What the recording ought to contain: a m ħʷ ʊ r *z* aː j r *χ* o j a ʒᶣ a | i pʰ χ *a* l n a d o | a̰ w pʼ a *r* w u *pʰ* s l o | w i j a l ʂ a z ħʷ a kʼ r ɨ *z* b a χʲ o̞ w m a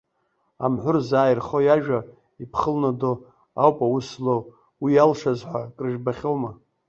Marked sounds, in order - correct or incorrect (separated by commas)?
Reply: correct, correct, incorrect, incorrect, incorrect, incorrect